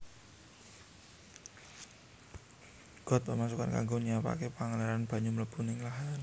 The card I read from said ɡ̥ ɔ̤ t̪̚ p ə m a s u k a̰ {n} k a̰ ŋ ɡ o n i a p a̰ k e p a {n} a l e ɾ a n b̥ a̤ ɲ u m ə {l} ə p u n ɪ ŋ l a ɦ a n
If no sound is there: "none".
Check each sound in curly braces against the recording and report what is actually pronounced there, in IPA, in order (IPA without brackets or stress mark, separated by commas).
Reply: n, ŋ, l